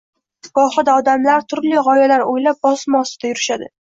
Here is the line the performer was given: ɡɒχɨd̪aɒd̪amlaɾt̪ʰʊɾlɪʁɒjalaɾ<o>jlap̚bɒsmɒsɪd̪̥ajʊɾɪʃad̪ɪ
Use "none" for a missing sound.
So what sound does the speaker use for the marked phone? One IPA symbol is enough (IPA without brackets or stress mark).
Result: o